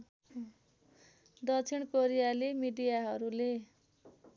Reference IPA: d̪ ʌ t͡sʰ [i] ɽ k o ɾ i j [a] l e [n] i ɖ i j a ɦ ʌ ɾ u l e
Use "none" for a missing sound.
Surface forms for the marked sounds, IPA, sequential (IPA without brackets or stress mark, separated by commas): i, a, m